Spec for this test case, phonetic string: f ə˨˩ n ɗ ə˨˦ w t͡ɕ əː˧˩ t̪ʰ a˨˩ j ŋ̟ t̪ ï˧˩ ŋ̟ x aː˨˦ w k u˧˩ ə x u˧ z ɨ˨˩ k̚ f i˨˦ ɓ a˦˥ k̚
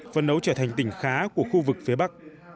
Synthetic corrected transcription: f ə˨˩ n ɗ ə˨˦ w t͡ɕ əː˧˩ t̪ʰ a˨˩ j ŋ̟ t̪ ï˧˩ ŋ̟ x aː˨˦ k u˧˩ ə x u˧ v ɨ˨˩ k̚ f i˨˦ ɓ a˦˥ k̚